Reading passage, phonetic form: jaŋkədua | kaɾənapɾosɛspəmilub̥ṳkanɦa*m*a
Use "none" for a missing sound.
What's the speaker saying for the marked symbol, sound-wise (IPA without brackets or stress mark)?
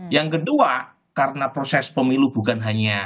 ɲ